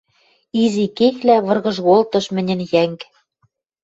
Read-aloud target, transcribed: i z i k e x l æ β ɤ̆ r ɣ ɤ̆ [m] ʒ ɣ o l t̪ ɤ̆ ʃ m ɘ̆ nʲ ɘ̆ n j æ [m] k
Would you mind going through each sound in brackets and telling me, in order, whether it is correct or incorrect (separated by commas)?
incorrect, incorrect